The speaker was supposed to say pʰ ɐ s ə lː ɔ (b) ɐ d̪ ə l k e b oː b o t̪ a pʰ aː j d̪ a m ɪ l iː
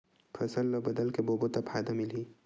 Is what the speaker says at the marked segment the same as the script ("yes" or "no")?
yes